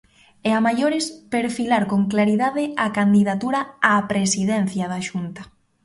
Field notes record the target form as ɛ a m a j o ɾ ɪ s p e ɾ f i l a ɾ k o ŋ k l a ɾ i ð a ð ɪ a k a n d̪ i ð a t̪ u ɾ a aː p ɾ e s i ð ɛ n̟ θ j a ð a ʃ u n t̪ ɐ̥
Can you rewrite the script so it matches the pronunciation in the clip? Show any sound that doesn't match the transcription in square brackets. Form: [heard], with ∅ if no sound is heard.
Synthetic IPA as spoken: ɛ a m a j o ɾ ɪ s p e ɾ f i l a ɾ k o ŋ k l a ɾ i ð a ð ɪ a k a n d̪ i ð a t̪ u ɾ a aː p ɾ e s i ð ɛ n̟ θ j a ð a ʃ u n t̪ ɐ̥